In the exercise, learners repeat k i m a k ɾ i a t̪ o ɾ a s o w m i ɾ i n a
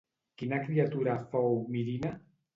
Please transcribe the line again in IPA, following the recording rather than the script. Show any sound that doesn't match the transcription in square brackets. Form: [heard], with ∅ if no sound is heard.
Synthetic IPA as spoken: k i [n] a k ɾ i a t̪ [u] ɾ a [f] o w m i ɾ i n a